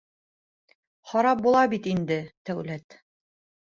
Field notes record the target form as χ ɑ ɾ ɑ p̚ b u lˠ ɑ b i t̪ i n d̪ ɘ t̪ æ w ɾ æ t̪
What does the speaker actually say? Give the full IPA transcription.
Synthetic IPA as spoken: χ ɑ ɾ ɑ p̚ b u lˠ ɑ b i t̪ i n d̪ ɘ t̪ æ w l æ t̪